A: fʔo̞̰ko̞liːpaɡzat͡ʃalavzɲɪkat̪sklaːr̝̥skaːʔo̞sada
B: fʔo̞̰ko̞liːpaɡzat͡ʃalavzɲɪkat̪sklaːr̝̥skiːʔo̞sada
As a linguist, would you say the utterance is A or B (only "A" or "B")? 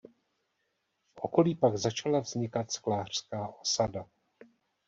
A